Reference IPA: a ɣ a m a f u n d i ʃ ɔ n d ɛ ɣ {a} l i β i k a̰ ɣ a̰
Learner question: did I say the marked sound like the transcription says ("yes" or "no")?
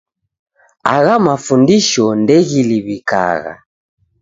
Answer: no